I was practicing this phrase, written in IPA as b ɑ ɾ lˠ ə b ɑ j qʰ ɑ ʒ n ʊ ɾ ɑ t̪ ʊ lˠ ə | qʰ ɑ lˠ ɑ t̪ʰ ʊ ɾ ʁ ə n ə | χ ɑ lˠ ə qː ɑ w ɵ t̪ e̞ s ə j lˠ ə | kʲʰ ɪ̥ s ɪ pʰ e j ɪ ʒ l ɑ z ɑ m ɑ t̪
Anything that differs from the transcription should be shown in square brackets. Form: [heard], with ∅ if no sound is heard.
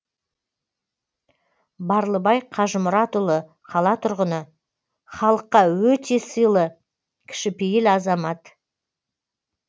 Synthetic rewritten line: b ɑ ɾ lˠ ə b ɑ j qʰ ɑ ʒ [m] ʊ ɾ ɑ t̪ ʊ lˠ ə | qʰ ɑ lˠ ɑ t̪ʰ ʊ ɾ ʁ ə n ə | χ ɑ lˠ ə qː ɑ w ɵ t̪ e̞ s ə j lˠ ə | kʲʰ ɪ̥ [ʃ] ɪ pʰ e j ɪ [∅] l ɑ z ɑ m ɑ t̪